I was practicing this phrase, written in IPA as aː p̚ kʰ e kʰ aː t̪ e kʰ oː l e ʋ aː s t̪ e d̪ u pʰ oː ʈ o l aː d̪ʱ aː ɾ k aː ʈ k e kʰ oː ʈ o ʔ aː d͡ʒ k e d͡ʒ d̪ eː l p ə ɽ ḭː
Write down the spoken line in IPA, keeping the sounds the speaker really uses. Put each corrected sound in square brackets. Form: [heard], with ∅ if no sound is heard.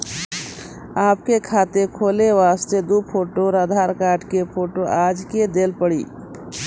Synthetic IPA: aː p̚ [k] e kʰ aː t̪ e kʰ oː l e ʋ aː s t̪ e d̪ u pʰ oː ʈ o [ɾ] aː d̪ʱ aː ɾ k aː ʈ k e [pʰ] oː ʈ o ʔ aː d͡ʒ k e [∅] d̪ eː l p ə ɽ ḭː